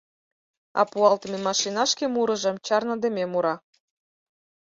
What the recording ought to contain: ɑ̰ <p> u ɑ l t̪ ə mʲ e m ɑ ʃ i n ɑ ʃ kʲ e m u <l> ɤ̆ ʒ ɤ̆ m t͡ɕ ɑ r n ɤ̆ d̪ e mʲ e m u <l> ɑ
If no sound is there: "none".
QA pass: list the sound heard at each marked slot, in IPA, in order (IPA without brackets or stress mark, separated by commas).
p, ɾ, ɾ